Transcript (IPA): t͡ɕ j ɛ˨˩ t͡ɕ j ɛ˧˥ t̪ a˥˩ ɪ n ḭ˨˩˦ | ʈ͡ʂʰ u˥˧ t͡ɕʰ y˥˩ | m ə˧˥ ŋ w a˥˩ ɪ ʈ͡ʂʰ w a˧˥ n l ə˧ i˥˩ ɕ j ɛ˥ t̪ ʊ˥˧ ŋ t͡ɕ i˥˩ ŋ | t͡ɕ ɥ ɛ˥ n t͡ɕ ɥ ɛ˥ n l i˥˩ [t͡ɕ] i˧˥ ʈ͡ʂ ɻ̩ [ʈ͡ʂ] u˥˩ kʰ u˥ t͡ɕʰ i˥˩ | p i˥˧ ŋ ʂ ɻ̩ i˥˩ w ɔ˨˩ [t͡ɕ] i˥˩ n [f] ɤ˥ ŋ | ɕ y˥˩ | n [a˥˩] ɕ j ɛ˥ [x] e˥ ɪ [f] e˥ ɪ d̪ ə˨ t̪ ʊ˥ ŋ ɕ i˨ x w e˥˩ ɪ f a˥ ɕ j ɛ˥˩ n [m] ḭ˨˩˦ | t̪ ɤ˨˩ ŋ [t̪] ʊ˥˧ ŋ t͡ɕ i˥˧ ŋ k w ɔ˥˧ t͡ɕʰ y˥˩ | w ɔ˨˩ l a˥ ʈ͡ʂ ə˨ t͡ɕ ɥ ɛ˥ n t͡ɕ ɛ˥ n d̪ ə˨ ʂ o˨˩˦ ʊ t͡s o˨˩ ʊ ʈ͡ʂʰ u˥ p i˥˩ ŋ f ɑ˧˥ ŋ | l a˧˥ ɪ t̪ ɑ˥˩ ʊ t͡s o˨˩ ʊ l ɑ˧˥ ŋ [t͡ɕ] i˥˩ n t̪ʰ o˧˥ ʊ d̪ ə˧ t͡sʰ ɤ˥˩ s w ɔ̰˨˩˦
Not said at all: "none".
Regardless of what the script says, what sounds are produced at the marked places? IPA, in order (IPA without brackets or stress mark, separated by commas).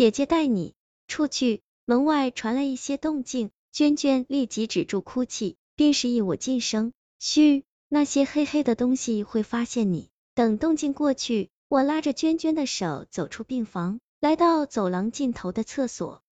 t͡ɕ, ʈ͡ʂ, t͡ɕ, ʂ, a˥˩, x, x, n, t̪, t͡ɕ